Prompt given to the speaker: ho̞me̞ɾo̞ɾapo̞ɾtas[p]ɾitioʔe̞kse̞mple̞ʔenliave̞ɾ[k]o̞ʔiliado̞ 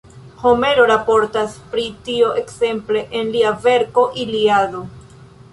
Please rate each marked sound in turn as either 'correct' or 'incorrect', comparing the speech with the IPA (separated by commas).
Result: correct, correct